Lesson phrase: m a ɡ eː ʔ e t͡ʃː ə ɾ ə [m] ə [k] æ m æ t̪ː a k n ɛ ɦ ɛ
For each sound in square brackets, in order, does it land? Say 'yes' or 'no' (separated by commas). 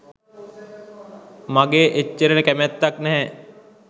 no, yes